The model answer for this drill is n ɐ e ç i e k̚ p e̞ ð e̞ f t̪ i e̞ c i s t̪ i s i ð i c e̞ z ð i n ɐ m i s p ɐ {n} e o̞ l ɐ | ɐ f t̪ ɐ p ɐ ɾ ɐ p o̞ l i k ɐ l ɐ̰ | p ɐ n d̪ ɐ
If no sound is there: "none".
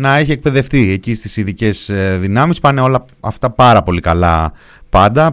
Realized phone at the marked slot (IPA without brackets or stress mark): n